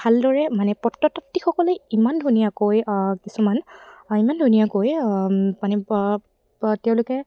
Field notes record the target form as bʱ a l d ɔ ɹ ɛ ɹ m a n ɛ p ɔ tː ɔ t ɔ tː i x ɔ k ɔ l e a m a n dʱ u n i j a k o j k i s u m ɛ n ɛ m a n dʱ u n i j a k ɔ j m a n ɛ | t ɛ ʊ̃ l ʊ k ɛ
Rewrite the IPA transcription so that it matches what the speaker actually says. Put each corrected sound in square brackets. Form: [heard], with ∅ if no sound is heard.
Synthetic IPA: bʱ a l d ɔ ɹ ɛ [∅] m a n ɛ p ɔ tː ɔ t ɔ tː i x ɔ k ɔ l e [i] m a n dʱ u n i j a k o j k i s u m [a] n [i] m a n dʱ u n i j a k [o] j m a n ɛ | t ɛ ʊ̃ l ʊ k ɛ